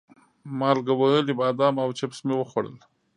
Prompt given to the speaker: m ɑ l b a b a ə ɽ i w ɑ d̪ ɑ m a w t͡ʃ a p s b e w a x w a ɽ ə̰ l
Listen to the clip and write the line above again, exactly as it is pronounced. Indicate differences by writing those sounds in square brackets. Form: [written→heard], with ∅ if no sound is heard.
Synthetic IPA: m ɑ l [b→ɡ] a [b→w] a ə [ɽ→l] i [w→b] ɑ d̪ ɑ m a w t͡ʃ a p s [b→m] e w [a→ə] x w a ɽ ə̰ l